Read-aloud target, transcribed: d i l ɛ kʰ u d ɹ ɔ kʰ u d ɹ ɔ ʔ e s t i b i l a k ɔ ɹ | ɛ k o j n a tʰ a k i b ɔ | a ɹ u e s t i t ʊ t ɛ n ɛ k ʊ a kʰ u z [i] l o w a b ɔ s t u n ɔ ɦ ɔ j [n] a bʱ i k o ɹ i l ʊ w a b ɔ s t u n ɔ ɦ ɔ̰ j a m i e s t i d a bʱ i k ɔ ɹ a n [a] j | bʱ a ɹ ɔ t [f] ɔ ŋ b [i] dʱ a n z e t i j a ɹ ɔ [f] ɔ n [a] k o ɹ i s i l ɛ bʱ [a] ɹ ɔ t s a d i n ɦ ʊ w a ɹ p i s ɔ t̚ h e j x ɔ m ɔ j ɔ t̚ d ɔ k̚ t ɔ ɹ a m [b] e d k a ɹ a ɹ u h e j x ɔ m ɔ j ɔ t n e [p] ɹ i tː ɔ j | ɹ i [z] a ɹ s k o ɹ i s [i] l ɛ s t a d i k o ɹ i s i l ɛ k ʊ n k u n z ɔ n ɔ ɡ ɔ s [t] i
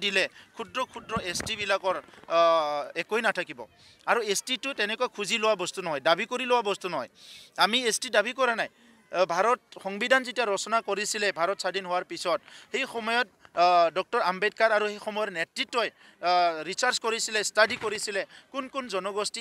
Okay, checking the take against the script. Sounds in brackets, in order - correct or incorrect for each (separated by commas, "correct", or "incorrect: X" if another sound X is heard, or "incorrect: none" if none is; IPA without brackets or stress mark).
correct, incorrect: d, correct, incorrect: x, correct, incorrect: s, correct, correct, correct, incorrect: t, incorrect: s, correct, correct